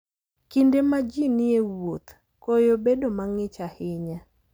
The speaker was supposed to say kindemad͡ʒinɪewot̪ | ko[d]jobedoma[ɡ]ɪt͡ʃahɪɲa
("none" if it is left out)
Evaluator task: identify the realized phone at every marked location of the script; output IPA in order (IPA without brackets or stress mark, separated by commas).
none, ŋ